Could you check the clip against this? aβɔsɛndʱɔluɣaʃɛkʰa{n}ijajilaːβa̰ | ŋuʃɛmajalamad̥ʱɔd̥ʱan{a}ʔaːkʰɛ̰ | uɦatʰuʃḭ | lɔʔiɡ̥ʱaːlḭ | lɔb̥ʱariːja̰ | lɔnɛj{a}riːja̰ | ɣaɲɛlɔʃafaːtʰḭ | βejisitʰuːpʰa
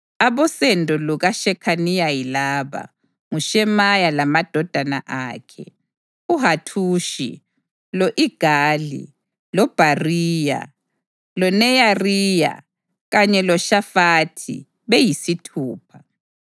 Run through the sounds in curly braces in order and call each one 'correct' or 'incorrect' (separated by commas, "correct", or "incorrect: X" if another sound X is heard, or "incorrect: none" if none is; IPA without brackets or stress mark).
correct, correct, correct